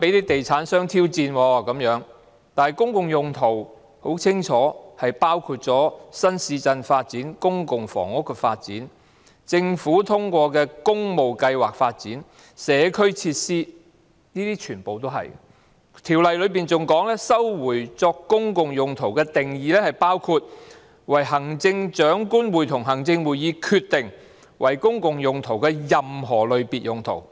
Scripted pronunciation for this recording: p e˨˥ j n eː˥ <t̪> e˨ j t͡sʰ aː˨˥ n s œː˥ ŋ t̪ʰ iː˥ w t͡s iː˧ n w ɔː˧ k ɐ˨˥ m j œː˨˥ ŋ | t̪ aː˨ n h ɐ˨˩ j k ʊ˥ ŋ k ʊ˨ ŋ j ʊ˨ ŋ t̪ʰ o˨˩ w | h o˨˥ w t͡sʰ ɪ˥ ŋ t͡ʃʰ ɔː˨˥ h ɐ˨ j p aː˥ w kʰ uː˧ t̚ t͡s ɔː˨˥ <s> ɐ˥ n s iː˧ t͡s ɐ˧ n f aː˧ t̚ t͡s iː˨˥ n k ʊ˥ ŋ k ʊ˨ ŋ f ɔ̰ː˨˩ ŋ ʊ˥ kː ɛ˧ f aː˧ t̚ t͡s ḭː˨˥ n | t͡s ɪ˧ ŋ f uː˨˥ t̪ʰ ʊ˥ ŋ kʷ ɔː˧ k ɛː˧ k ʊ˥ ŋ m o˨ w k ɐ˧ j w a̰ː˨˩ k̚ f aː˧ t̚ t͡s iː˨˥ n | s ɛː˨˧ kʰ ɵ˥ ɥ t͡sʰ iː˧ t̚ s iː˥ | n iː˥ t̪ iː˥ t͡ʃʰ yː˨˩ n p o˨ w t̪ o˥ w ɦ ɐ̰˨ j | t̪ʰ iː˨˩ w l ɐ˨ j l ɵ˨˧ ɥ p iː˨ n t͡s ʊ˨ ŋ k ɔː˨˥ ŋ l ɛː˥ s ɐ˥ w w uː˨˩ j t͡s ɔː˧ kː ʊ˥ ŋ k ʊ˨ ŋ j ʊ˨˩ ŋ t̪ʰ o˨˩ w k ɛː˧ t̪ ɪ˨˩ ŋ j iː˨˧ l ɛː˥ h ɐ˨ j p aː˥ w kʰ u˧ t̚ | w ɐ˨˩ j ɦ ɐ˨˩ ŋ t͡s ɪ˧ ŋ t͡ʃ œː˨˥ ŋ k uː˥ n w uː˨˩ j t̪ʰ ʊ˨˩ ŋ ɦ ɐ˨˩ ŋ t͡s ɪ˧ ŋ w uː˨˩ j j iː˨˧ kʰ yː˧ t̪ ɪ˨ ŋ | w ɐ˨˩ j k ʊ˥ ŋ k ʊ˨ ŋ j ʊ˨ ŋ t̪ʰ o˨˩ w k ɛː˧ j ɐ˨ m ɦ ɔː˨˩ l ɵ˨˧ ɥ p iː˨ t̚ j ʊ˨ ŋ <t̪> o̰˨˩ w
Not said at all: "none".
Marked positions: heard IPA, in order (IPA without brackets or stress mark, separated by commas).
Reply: t̪, s, t̪ʰ